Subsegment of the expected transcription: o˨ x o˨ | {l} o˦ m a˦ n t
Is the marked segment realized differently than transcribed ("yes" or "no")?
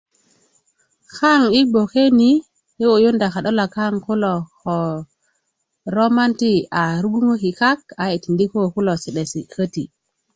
yes